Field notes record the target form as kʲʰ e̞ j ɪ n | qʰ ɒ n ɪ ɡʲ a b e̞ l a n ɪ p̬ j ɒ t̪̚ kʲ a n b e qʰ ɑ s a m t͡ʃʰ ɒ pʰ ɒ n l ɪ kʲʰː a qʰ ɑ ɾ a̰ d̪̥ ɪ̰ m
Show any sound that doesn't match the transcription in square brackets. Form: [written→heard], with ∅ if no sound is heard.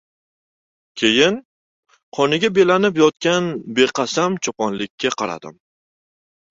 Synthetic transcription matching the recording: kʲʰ e̞ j ɪ n | qʰ ɒ n ɪ ɡʲ a b e̞ l a n ɪ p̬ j ɒ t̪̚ kʲ a n b e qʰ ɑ s a m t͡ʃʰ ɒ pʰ ɒ n l ɪ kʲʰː a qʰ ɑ ɾ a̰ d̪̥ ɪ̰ m